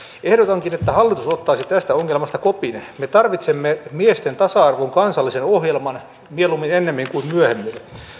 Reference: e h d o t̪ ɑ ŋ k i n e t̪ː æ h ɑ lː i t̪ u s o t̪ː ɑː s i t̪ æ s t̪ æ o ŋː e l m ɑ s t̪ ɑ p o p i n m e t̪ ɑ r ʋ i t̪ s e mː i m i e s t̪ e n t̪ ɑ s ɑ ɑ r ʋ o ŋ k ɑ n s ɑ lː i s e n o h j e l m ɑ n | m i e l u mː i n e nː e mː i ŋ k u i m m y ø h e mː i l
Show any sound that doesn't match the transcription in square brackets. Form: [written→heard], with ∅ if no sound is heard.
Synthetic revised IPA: e h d o t̪ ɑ ŋ k i n e t̪ː æ h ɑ lː i t̪ u s o t̪ː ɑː s i t̪ æ s t̪ æ o ŋː e l m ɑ s t̪ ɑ [p→k] o p i n m e t̪ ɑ r ʋ i t̪ s e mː [i→e] m i e s t̪ e n t̪ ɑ s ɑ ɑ r ʋ o ŋ k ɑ n s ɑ lː i s e n o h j e l m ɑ n | m i e l u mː i n e nː e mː i ŋ k u i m m y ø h e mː i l